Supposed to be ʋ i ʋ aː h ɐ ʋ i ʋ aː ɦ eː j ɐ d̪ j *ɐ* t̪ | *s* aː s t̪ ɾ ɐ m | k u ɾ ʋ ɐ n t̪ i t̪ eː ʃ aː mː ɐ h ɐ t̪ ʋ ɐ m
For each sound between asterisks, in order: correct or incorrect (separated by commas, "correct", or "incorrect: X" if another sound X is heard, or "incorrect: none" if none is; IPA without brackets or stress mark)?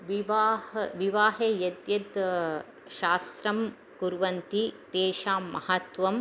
correct, incorrect: ʃ